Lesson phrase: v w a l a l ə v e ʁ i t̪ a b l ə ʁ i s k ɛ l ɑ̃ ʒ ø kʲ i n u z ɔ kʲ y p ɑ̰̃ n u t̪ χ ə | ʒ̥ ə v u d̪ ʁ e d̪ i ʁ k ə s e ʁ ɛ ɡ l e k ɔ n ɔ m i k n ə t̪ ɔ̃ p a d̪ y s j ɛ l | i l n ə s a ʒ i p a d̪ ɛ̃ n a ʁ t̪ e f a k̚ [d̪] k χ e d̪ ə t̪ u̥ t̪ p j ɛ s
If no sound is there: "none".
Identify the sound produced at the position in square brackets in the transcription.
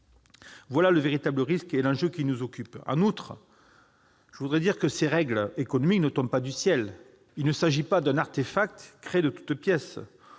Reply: t̪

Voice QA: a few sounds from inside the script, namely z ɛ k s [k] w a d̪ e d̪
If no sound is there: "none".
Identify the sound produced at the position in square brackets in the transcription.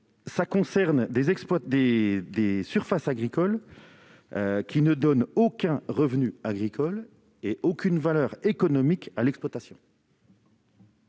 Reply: p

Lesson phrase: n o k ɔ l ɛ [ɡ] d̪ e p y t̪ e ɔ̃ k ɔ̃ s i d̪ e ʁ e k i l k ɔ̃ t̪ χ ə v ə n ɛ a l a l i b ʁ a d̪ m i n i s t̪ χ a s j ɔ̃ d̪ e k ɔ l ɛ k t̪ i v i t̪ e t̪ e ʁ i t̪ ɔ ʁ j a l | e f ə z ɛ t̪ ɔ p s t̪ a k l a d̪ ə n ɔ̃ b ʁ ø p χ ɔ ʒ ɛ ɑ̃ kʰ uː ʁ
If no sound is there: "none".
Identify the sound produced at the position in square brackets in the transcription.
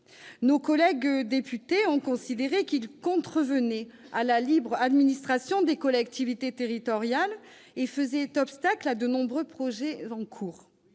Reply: ɡ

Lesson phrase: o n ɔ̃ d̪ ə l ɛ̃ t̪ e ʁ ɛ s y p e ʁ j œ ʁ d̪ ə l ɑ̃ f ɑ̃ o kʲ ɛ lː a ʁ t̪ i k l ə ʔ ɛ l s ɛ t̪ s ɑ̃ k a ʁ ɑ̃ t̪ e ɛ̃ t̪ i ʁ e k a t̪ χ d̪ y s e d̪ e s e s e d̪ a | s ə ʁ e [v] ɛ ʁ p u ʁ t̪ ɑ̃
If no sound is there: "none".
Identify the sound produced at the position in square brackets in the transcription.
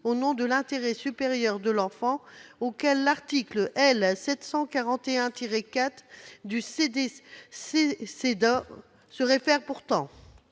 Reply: f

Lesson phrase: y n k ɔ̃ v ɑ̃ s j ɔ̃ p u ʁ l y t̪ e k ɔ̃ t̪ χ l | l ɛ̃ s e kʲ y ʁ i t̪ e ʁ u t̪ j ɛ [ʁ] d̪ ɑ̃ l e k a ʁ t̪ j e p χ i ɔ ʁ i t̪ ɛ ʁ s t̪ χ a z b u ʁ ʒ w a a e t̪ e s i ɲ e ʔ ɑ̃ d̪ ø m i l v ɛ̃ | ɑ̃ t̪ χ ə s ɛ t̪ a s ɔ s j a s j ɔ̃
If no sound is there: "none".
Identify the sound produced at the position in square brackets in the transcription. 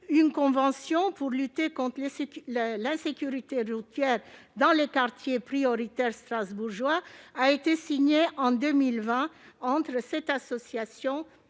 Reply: ʁ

